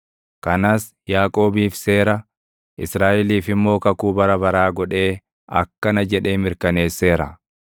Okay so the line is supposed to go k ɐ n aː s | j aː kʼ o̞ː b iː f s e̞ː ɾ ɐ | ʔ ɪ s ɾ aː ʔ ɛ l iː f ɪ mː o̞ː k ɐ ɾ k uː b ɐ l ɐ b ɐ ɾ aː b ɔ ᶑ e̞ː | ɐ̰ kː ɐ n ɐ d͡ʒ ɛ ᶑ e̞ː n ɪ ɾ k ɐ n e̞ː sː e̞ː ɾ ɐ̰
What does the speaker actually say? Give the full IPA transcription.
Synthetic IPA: k ɐ n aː s | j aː kʼ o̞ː b iː f s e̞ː ɾ ɐ | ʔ ɪ s ɾ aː ʔ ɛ l iː f ɪ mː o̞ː k ɐ k uː b ɐ ɾ ɐ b ɐ ɾ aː ɡ ɔ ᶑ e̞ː | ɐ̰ kː ɐ n ɐ d͡ʒ ɛ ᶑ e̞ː m ɪ ɾ k ɐ n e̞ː sː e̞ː ɾ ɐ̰

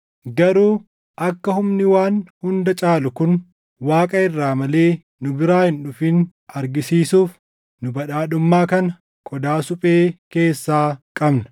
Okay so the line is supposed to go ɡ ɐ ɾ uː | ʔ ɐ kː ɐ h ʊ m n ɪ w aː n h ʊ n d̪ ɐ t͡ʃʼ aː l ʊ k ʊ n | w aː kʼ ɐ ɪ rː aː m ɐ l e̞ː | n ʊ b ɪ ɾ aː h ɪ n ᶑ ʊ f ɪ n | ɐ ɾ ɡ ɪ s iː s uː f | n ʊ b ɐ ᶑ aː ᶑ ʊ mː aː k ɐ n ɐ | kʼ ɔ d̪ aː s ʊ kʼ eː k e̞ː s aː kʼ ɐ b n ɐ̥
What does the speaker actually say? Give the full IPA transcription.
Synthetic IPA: ɡ ɐ ɾ uː | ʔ ɐ kː ɐ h ʊ m n ɪ w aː n h ʊ n d̪ ɐ t͡ʃʼ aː l ʊ k ʊ n | w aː kʼ ɐ ɪ rː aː m ɐ l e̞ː | n ʊ b ɪ ɾ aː h ɪ n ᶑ ʊ f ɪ n | ɐ ɾ ɡ ɪ s iː s uː f | n ʊ b ɐ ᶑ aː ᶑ ʊ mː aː k ɐ n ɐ | kʼ ɔ d̪ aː s ʊ pʼ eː k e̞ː sː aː kʼ ɐ b n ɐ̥

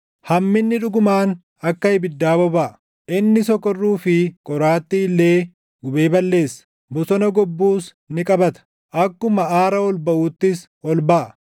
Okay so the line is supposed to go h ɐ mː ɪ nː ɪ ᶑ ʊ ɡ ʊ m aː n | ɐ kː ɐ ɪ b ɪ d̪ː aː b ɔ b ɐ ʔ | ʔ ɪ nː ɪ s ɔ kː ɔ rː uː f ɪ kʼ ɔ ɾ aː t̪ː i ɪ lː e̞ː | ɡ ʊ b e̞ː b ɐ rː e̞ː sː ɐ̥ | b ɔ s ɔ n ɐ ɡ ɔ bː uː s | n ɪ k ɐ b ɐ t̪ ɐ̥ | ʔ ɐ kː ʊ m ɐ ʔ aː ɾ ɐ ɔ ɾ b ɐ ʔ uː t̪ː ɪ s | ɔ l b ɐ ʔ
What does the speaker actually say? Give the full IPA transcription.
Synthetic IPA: h ɐ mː ɪ nː ɪ ᶑ ʊ ɡ ʊ m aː n | ɐ kː ɐ ɪ b ɪ d̪ː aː b ɔ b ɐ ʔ | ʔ ɪ nː ɪ s ɔ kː ɔ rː uː f ɪ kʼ ɔ ɾ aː t̪ː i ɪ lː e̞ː | ɡ ʊ b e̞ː b ɐ lː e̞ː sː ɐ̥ | b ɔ s ɔ n ɐ ɡ ɔ bː uː s | n ɪ kʼ ɐ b ɐ t̪ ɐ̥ | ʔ ɐ kː ʊ m ɐ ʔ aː ɾ ɐ ɔ l b ɐ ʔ uː t̪ː ɪ s | ɔ l b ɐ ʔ

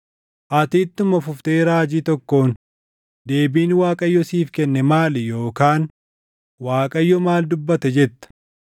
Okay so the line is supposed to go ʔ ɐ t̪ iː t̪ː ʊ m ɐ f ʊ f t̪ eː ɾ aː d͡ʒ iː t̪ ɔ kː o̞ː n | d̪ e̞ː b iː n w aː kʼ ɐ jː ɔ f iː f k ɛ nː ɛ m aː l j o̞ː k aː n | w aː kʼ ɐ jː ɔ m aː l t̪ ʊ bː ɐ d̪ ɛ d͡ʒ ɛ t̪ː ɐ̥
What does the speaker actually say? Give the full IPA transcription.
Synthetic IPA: ʔ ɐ t̪ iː t̪ː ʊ m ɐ f ʊ f t̪ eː ɾ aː d͡ʒ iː t̪ ɔ kː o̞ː n | d̪ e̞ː b iː n w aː kʼ ɐ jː ɔ s iː f k ɛ nː ɛ m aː l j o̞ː k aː n | w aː kʼ ɐ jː ɔ m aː l d̪ ʊ bː ɐ t̪ ɛ d͡ʒ ɛ t̪ː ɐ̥

